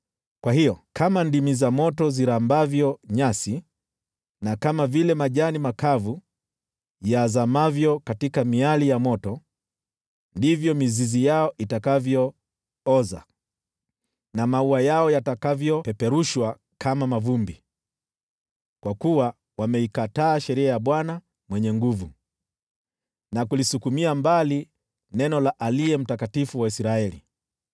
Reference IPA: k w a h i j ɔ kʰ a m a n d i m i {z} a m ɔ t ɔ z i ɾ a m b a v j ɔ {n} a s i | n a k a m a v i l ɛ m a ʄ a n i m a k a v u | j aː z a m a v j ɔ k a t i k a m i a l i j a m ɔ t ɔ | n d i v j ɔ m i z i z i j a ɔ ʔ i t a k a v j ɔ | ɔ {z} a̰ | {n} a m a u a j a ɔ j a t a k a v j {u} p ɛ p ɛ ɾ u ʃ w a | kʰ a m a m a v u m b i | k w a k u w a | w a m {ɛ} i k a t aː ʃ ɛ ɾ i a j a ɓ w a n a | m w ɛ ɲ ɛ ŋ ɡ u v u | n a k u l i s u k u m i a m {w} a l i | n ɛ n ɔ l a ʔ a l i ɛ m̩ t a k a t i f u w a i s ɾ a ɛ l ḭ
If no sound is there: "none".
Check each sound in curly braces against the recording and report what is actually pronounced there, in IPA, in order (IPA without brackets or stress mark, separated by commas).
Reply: z, ɲ, z, n, ɔ, ɛ, b